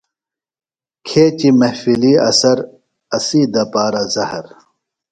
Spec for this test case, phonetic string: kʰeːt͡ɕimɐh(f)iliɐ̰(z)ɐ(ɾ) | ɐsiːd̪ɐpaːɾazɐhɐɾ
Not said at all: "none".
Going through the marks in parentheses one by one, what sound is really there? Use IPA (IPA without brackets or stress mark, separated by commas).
f, s, ɾ